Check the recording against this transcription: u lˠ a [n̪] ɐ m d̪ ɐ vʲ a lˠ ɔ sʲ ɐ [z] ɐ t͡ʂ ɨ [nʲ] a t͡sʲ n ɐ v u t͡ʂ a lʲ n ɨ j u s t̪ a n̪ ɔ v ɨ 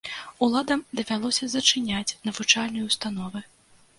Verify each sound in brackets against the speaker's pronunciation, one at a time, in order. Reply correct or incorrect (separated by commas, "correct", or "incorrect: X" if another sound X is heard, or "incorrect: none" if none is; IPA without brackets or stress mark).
incorrect: d̪, correct, correct